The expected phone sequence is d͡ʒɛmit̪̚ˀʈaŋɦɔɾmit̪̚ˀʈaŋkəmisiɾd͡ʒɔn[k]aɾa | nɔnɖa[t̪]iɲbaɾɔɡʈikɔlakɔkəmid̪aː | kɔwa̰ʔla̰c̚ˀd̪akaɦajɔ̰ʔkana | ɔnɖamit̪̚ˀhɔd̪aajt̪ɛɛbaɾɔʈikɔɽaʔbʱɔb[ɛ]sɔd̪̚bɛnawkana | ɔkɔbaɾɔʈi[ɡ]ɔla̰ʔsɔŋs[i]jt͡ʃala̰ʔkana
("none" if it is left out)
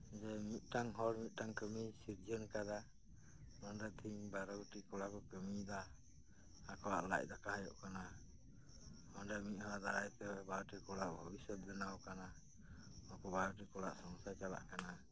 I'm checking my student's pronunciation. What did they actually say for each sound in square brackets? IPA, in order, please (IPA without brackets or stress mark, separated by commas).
k, t̪ʰ, i, k, a